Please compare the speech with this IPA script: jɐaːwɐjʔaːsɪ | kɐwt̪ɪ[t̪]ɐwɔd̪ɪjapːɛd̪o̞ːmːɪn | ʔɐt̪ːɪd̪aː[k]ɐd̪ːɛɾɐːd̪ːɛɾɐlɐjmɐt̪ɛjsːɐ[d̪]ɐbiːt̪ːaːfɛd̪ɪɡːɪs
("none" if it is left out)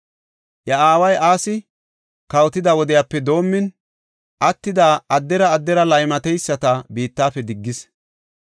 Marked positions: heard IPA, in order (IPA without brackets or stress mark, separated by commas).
d̪, none, t̪